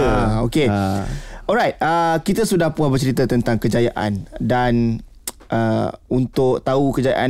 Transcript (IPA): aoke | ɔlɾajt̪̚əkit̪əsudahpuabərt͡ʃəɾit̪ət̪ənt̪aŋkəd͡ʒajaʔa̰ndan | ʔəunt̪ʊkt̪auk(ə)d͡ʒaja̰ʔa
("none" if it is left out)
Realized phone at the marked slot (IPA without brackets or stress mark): ə